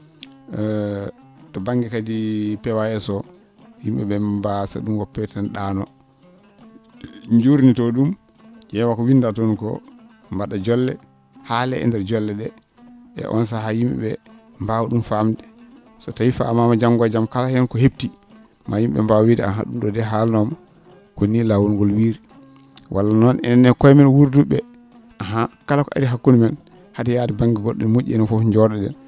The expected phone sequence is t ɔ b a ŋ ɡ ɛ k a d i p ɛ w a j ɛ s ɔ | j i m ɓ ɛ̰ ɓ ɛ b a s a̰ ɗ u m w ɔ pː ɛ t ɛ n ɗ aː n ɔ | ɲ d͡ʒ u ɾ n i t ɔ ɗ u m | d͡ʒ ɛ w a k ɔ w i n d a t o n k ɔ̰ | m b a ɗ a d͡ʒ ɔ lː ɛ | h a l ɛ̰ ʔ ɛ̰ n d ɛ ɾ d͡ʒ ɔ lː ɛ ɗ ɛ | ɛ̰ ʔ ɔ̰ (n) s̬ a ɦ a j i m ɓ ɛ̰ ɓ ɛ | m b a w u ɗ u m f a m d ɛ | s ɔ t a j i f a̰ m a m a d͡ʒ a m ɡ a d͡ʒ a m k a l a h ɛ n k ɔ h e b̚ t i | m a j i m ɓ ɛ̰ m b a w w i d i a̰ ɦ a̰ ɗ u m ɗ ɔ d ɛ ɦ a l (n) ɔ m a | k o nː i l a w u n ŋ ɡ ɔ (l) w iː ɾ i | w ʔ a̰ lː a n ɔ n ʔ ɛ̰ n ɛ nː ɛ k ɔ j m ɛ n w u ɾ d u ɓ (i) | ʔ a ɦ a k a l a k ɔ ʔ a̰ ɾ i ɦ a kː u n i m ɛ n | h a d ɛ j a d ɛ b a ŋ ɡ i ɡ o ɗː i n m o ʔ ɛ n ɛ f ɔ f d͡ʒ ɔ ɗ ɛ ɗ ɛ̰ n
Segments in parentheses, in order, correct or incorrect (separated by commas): correct, correct, correct, incorrect